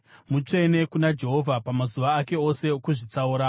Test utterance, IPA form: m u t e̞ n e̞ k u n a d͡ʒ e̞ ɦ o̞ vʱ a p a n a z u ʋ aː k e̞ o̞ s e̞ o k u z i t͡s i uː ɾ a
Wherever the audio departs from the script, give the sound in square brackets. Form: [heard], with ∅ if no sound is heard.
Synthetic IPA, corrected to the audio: m u [t͡ʂ] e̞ n e̞ k u n a d͡ʒ e̞ ɦ o̞ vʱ a p a [m] a z u ʋ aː k e̞ o̞ s e̞ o k u [ʐ] i t͡s [a] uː ɾ a

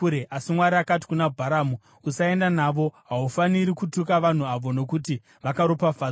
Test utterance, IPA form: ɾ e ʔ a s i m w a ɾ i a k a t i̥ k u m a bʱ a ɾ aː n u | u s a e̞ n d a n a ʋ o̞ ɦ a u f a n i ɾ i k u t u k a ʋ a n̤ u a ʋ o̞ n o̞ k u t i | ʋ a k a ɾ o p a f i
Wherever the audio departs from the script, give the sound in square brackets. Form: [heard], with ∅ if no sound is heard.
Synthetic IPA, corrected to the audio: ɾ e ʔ a s i m w a ɾ i a k a t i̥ k u [n] a bʱ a ɾ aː [m] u | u s a e̞ n d a n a ʋ o̞ ɦ a u f a n i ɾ i k u t u k a ʋ a n̤ u a ʋ o̞ n o̞ k u t i | ʋ a k a ɾ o p a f [a]

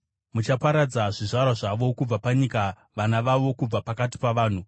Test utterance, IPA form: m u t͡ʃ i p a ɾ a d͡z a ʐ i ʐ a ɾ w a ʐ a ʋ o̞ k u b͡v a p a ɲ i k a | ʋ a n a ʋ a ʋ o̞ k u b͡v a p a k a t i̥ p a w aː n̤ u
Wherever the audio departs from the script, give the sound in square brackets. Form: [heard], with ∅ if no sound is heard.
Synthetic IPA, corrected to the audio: m u t͡ʃ [a] p a ɾ a d͡z a ʐ i ʐ a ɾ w a ʐ a ʋ o̞ k u b͡v a p a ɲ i k a | ʋ a n a ʋ a ʋ o̞ k u b͡v a p a k a t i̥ p a [ʋ] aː n̤ u

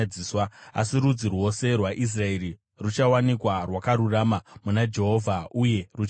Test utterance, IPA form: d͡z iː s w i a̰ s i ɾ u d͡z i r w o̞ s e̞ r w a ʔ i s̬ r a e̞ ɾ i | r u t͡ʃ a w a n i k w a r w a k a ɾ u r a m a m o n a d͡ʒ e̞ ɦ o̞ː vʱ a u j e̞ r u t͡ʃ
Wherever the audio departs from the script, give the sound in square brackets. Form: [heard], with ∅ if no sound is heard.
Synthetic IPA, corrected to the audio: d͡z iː s w [a] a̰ s i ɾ u d͡z i r w o̞ s e̞ r w a ʔ i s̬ r a e̞ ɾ i | r u t͡ʃ a w a n i k w a r w a k a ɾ u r a m a m [u] n a d͡ʒ e̞ ɦ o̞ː vʱ a u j e̞ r u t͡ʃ

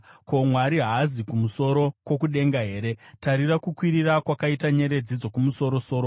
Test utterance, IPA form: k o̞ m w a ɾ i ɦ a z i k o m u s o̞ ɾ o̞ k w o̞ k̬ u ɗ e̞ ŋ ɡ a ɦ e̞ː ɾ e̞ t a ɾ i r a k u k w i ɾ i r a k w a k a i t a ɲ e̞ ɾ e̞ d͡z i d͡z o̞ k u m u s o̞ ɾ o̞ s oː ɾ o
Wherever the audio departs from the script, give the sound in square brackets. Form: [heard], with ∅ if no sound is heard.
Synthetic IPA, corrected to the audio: k o̞ m w a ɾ i ɦ a z i k [u] m u s o̞ ɾ o̞ k w o̞ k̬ u ɗ e̞ ŋ ɡ a ɦ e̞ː ɾ e̞ t a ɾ i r a k u k w i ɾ i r a k w a k a i t a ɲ e̞ ɾ e̞ d͡z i d͡z o̞ k u m u s o̞ ɾ o̞ s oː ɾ o

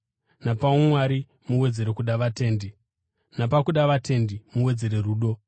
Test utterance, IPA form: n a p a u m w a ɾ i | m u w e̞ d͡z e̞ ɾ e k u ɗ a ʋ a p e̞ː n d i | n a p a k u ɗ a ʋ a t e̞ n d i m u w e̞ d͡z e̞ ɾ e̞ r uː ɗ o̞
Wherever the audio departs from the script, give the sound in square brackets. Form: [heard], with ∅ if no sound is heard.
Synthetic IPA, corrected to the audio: n a p a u m w a ɾ i | m u w e̞ d͡z e̞ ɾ e k u ɗ a ʋ a [t] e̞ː n d i | n a p a k u ɗ a ʋ a t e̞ n d i m u w e̞ d͡z e̞ ɾ e̞ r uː ɗ o̞

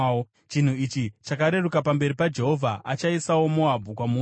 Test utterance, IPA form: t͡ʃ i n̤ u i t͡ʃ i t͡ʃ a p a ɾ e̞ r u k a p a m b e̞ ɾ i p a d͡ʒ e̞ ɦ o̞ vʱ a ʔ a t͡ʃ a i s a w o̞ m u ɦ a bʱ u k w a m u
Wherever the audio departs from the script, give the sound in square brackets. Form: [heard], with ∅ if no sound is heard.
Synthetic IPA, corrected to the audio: t͡ʃ i n̤ u i t͡ʃ i t͡ʃ a [k] a ɾ e̞ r u k a p a m b e̞ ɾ i p a d͡ʒ e̞ ɦ o̞ vʱ a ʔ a t͡ʃ a i s a w o̞ m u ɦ a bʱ u k w a m u

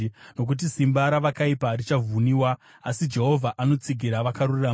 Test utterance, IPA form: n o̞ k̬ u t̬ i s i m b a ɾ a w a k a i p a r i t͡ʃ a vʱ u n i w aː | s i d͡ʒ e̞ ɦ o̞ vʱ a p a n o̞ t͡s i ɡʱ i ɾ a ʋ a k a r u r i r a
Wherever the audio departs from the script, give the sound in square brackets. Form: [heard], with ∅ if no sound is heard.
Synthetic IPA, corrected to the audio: n o̞ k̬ u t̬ i s i m b a ɾ a [ʋ] a k a i p a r i t͡ʃ a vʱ u n i w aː | s i d͡ʒ e̞ ɦ o̞ vʱ a [ʔ] a n o̞ t͡s i ɡʱ i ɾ a ʋ a k a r u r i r a

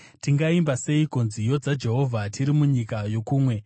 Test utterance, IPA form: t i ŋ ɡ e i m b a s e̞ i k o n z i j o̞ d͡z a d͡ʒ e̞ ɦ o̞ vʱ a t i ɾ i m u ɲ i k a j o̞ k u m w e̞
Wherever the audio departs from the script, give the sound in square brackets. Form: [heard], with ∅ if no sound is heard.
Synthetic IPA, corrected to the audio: t i ŋ ɡ [a] i m b a s e̞ i k o n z i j o̞ d͡z a d͡ʒ e̞ ɦ o̞ vʱ a t i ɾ i m u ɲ i k a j o̞ k [uː] m w e̞

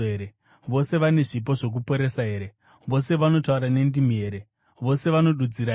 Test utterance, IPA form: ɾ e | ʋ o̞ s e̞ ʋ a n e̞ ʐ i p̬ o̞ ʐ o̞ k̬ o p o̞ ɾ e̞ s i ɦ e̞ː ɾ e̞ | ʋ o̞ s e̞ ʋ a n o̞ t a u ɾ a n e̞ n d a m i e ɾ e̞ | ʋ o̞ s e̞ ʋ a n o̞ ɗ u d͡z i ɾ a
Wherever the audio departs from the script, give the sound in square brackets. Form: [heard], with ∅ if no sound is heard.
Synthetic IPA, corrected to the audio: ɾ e | ʋ o̞ s e̞ ʋ a n e̞ ʐ i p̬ o̞ ʐ o̞ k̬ [u] p o̞ ɾ e̞ s [a] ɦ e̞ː ɾ e̞ | ʋ o̞ s e̞ ʋ a n o̞ t a u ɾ a n e̞ n d [i] m i e ɾ e̞ | ʋ o̞ s e̞ ʋ a n o̞ ɗ u d͡z i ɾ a

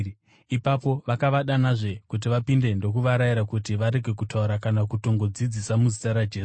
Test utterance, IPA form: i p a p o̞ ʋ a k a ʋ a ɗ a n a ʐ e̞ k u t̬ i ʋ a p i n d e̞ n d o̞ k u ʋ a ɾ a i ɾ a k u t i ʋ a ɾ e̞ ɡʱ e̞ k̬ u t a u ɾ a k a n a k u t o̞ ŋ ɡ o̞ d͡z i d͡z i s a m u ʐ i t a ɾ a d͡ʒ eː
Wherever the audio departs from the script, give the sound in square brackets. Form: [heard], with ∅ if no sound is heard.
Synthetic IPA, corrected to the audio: i p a p o̞ ʋ a k a ʋ a ɗ a n a ʐ e̞ k u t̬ i ʋ a p i n d e̞ n d o̞ k u ʋ a ɾ a i ɾ a k u t i ʋ a ɾ e̞ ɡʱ e̞ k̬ u t a u ɾ a k a n a k u t o̞ ŋ ɡ o̞ d͡z i d͡z i s a m u [z] i t a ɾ a d͡ʒ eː

